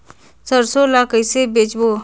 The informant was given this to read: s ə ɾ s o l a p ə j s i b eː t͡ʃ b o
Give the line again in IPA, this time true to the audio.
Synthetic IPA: s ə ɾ s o l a k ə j s e b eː t͡ʃ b o